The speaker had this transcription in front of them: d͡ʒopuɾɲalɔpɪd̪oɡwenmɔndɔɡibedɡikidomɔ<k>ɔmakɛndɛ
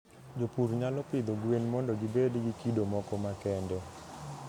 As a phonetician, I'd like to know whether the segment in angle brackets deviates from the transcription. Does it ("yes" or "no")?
no